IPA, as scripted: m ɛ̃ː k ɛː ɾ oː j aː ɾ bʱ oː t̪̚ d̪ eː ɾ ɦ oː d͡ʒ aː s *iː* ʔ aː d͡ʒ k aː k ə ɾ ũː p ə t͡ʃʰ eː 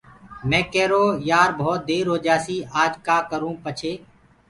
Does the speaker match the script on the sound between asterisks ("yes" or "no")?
yes